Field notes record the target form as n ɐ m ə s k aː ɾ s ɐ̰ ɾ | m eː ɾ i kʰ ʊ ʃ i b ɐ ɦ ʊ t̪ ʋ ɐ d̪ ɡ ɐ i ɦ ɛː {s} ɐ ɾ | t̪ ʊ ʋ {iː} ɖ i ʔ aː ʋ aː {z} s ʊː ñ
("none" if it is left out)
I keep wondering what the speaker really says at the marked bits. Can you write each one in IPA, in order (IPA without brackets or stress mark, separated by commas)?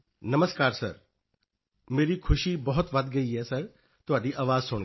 s, aː, z